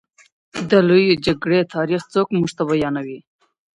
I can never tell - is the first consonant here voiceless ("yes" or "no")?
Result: no